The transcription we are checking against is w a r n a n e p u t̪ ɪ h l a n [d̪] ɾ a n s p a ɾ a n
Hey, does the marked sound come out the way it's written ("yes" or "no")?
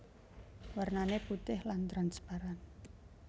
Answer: no